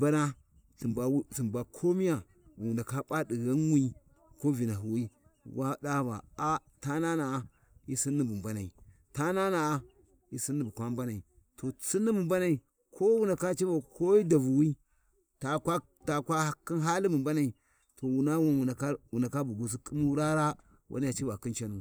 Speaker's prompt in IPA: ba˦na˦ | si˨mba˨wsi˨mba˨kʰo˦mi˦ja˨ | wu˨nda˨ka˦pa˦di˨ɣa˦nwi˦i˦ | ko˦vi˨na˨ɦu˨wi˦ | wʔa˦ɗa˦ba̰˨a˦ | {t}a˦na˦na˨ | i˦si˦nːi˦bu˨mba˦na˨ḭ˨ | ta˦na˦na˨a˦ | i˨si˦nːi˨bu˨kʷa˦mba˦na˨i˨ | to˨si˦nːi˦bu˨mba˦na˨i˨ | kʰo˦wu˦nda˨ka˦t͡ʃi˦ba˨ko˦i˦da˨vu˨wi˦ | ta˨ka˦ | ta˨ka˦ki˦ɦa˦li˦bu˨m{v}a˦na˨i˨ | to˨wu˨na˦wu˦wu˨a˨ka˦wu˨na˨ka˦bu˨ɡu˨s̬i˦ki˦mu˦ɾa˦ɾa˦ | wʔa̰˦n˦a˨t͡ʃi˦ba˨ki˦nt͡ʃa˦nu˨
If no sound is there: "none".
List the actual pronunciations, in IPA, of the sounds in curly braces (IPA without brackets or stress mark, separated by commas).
t, b